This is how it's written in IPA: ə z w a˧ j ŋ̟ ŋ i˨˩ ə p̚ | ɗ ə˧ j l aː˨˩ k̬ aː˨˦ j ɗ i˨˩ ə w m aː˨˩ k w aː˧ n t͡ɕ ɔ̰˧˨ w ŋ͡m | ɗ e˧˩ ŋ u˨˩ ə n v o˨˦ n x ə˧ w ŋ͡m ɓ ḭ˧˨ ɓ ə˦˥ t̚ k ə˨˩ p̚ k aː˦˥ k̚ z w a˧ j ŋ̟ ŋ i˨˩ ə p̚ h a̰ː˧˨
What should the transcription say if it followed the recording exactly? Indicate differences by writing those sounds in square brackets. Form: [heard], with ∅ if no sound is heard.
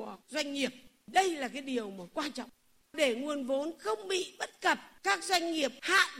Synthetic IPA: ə z w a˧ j ŋ̟ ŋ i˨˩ ə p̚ | ɗ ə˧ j l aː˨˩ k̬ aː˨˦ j ɗ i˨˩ ə w m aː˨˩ k w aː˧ n t͡ɕ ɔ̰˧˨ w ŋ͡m | ɗ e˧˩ ŋ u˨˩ ə n v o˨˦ n x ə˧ w ŋ͡m ɓ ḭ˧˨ ɓ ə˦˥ t̚ k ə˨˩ p̚ k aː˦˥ k̚ z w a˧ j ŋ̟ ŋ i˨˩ ə p̚ h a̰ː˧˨